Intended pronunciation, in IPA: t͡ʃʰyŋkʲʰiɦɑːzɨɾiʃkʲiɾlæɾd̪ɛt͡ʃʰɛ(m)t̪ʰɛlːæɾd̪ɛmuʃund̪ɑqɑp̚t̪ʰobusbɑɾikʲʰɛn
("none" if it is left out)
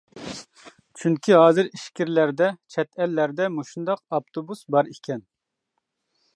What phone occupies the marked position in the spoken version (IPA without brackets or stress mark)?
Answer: none